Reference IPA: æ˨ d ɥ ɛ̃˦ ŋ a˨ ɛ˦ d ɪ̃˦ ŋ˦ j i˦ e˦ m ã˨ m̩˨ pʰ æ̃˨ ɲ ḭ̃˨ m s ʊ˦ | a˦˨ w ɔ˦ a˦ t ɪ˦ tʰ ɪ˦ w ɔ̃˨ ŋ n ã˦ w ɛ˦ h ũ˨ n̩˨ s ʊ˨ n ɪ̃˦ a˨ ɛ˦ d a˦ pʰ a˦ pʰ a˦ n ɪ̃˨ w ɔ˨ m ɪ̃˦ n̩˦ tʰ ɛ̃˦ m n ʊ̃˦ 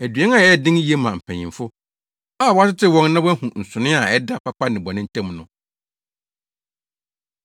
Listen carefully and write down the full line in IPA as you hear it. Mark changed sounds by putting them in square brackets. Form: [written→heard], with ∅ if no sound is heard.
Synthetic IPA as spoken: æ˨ d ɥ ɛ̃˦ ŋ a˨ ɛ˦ d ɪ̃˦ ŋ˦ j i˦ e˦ m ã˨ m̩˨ pʰ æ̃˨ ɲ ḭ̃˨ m [s→f] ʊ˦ | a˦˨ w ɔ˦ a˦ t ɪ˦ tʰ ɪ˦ w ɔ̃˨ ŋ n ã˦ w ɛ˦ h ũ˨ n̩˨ s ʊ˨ n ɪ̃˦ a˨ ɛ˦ d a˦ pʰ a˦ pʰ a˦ n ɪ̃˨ [w→b] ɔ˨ [m→n] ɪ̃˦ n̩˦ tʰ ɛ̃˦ m n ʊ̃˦

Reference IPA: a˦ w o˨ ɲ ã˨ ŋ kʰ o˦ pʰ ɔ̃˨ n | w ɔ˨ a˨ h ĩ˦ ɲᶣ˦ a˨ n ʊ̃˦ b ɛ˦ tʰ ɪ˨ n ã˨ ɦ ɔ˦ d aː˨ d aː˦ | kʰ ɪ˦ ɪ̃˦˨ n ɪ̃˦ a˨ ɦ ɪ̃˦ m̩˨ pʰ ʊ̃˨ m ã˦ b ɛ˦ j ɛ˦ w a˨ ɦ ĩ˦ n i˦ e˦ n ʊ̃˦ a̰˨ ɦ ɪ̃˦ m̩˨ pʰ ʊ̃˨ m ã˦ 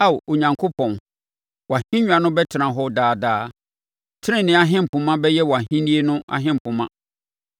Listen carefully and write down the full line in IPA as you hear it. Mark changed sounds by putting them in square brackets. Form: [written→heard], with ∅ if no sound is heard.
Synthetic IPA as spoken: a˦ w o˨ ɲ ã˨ ŋ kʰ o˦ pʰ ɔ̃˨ n | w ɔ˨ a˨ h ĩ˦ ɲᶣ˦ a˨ n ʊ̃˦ b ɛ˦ tʰ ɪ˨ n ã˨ ɦ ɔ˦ d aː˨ d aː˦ | [kʰ→tʰ] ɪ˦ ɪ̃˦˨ n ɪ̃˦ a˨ ɦ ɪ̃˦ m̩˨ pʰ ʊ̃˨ m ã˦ b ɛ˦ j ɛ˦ w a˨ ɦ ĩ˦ n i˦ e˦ n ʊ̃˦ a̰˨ ɦ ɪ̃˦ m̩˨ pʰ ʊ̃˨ m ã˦

